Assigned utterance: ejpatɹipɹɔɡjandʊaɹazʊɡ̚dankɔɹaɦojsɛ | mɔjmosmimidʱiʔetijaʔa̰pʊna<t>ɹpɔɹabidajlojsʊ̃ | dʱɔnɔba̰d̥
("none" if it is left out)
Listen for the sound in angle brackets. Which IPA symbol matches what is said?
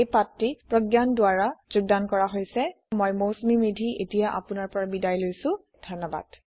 none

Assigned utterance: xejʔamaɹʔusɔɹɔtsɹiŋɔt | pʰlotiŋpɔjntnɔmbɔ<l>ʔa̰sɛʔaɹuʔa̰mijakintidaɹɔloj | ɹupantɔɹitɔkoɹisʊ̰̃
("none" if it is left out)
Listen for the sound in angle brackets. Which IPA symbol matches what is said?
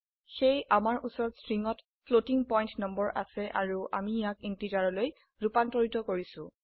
ɹ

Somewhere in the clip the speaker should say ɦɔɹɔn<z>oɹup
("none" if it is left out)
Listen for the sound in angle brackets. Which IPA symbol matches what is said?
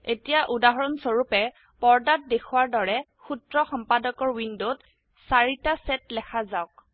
s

